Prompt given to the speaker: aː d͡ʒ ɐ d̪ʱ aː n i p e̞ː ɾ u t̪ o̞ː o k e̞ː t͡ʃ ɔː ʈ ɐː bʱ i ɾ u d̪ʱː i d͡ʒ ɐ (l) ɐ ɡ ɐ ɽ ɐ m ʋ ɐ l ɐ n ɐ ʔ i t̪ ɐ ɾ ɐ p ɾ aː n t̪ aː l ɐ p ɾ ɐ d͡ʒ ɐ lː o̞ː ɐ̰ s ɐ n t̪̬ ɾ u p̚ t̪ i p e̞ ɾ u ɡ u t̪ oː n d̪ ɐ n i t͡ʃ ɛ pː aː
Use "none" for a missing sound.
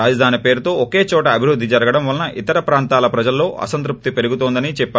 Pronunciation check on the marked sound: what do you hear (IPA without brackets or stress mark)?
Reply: ɾ